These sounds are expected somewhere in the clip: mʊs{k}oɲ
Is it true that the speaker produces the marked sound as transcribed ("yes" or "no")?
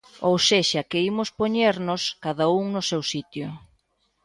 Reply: no